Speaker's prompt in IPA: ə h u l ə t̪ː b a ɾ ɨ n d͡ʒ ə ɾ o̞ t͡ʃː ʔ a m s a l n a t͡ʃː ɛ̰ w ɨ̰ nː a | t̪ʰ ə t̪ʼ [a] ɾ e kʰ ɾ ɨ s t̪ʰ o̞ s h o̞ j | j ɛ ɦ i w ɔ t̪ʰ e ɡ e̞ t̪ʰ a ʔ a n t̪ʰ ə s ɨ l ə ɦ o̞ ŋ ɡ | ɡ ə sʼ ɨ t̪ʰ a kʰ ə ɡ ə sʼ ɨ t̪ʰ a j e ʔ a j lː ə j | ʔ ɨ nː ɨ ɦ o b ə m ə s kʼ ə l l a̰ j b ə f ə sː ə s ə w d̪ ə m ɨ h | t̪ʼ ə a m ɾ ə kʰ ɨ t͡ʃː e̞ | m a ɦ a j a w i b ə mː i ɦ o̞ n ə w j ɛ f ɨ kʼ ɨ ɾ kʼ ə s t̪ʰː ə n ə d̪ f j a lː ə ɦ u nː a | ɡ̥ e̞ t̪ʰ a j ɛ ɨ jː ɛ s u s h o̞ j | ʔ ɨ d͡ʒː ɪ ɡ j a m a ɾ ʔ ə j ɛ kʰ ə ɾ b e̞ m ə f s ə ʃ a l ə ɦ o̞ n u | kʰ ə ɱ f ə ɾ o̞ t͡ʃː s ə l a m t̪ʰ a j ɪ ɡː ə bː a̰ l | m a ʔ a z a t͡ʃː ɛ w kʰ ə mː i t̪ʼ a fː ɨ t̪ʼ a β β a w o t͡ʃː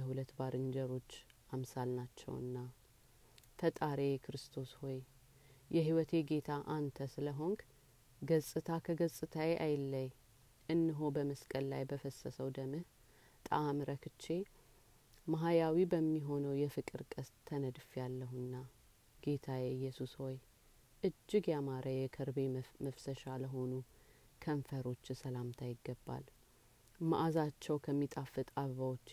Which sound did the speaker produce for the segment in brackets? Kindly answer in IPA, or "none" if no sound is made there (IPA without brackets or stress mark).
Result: a